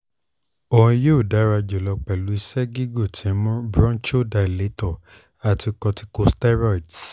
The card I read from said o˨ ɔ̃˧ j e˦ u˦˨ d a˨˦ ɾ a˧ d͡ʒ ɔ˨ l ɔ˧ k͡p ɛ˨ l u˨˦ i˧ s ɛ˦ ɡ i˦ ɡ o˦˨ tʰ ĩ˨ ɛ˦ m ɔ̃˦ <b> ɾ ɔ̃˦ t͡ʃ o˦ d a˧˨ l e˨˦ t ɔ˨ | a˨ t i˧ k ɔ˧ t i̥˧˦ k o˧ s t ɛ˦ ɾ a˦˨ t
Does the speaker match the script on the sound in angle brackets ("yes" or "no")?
yes